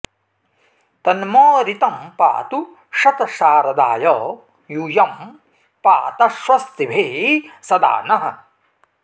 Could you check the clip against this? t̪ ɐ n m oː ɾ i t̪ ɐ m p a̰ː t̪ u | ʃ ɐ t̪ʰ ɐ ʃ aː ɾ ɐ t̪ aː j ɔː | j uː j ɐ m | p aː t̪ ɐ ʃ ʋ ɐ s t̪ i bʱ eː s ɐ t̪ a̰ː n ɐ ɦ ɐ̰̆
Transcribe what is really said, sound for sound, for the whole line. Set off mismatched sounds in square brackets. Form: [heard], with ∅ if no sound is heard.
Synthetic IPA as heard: t̪ ɐ n m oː ɾ i t̪ ɐ m p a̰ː t̪ u | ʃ ɐ [t̪] ɐ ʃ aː ɾ ɐ [d̪] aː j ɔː | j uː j ɐ m | p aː t̪ ɐ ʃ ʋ ɐ s t̪ i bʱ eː s ɐ [d̪] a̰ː n ɐ ɦ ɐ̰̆